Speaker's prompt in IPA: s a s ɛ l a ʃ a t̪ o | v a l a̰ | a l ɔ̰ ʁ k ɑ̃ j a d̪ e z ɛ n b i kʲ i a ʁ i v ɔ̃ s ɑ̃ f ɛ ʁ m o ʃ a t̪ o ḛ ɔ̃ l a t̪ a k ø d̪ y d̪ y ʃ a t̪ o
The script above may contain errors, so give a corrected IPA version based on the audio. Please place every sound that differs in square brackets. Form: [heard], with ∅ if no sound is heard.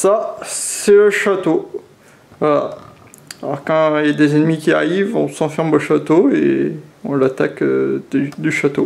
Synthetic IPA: s a s ɛ l [ə] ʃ a t̪ o | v a l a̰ | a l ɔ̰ ʁ k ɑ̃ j a d̪ e z ɛ n [m] i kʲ i a ʁ i v ɔ̃ s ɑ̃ f ɛ ʁ m o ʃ a t̪ o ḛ ɔ̃ l a t̪ a k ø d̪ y d̪ y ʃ a t̪ o